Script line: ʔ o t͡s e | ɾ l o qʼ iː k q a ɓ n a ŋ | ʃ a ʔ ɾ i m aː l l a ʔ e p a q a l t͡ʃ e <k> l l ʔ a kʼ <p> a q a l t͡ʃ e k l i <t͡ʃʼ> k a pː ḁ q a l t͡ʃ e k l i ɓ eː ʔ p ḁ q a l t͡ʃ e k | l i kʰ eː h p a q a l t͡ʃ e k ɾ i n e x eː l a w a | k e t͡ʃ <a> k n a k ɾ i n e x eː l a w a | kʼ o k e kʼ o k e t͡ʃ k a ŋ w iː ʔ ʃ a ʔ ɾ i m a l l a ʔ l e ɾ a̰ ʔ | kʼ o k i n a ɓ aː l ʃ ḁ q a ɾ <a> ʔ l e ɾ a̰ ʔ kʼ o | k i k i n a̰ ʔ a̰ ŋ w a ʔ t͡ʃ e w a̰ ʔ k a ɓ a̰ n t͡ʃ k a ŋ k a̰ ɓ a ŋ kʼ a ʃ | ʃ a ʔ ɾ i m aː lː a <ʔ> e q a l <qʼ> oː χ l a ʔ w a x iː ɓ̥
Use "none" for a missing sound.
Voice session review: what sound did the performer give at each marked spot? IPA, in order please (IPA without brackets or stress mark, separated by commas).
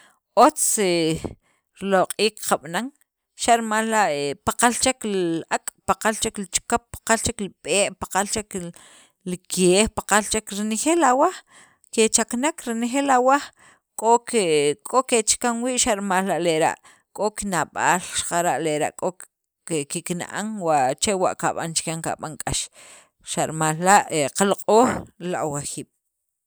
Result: k, p, t͡ʃ, a, a, ʔ, qʼ